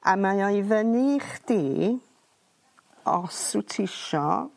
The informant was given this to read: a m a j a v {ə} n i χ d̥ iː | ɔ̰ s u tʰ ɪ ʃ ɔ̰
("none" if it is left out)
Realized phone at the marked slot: ə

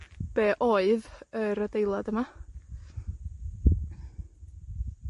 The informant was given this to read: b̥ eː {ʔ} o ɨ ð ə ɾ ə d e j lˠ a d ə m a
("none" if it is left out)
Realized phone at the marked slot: ʔ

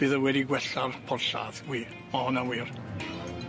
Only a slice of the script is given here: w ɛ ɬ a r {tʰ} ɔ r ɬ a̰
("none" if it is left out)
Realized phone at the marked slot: pʰ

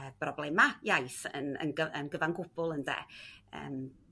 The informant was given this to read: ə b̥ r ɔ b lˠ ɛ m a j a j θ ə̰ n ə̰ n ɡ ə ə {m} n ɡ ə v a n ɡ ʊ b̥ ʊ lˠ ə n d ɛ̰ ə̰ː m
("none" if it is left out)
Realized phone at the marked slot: none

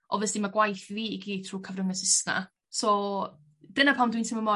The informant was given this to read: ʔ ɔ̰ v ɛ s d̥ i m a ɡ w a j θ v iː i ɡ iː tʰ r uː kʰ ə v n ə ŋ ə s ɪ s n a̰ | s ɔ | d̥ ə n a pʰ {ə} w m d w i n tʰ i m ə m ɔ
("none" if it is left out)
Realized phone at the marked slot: a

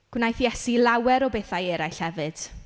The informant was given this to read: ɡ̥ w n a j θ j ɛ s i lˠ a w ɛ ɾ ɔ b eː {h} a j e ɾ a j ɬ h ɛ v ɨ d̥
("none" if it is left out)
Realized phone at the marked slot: θ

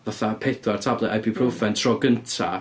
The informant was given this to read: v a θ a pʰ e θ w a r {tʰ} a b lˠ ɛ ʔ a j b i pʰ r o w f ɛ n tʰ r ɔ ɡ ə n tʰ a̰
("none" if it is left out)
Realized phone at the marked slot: tʰ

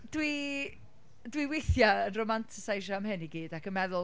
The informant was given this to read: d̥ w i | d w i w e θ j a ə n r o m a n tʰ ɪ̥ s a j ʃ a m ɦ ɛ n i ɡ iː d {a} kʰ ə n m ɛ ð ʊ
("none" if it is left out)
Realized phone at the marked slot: a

